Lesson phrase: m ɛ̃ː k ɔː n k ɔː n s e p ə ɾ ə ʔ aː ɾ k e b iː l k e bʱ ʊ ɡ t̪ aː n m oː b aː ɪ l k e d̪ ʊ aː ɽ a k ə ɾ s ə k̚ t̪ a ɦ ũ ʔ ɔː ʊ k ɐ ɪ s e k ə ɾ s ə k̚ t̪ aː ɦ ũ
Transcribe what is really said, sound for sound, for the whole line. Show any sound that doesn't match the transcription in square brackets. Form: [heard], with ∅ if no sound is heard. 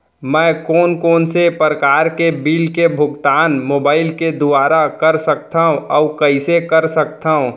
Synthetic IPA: m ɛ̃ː k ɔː n k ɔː n s e p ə ɾ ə [k] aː ɾ k e b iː l k e bʱ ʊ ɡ t̪ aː n m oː b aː ɪ l k e d̪ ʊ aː [ɾ] a k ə ɾ s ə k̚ t̪ a ɦ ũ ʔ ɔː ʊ k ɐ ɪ s e k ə ɾ s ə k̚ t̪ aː ɦ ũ